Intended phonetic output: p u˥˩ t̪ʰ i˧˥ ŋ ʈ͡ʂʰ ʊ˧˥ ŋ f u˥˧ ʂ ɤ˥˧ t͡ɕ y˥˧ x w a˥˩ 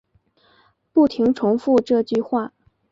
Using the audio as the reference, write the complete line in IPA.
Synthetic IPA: p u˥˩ t̪ʰ i˧˥ ŋ ʈ͡ʂʰ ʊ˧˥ ŋ f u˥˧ ʈ͡ʂ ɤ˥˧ t͡ɕ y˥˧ x w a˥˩